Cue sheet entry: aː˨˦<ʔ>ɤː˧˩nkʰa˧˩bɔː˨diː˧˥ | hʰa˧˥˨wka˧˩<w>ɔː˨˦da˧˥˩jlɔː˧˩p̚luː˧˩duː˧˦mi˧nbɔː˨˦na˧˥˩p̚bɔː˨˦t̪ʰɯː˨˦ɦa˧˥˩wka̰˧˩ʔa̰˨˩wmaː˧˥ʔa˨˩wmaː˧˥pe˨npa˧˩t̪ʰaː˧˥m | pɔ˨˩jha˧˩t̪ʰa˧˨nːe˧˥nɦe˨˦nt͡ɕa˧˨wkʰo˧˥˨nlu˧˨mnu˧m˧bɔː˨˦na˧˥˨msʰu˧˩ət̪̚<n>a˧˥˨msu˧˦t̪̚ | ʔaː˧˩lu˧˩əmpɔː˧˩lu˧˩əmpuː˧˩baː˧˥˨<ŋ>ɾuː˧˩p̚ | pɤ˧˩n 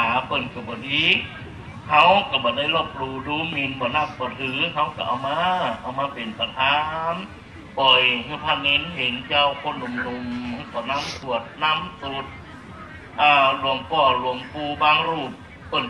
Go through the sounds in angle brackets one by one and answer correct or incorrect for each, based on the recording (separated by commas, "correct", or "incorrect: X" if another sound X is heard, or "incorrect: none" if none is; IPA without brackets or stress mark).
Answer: incorrect: p, incorrect: b, correct, correct